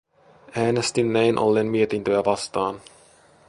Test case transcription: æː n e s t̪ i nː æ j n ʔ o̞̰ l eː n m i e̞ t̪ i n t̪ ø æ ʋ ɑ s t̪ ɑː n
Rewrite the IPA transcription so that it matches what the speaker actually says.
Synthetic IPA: æː n e s t̪ i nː æ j n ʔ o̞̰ lː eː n m i e̞ t̪ i n t̪ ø æ ʋ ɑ s t̪ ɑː n